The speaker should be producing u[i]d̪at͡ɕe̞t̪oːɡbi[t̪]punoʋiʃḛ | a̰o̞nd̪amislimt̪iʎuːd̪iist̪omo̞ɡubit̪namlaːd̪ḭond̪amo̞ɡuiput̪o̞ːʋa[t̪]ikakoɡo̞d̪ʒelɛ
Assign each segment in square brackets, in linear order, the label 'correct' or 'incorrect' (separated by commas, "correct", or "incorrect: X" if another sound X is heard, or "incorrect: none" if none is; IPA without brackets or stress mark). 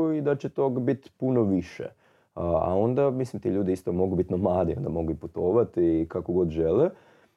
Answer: correct, correct, correct